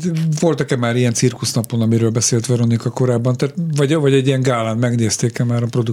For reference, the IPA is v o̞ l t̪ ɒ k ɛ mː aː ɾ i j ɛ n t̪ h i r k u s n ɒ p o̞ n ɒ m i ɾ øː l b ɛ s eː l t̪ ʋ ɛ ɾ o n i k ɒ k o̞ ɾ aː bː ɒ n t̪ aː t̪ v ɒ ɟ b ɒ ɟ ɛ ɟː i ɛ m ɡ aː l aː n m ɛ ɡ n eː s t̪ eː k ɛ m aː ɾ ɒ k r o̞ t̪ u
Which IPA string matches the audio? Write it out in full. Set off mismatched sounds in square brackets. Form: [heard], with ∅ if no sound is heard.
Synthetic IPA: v o̞ l t̪ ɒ k ɛ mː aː ɾ i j ɛ n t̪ [s] i r k u s n ɒ p o̞ n ɒ m i ɾ øː l b ɛ s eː l t̪ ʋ ɛ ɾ o n i k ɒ k o̞ ɾ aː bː ɒ n t̪ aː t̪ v ɒ ɟ [v] ɒ ɟ ɛ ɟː i ɛ [ŋ] ɡ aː l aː n m ɛ ɡ n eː s t̪ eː k ɛ m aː ɾ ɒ [p] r o̞ [d̪] u